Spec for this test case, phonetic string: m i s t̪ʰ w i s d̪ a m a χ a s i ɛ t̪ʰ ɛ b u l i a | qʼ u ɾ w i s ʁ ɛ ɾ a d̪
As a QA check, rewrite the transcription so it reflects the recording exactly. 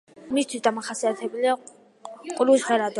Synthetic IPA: m i s t̪ʰ w i s d̪ a m a χ a s i a t̪ʰ ɛ b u l i a | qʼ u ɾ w i s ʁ ɛ ɾ a d̪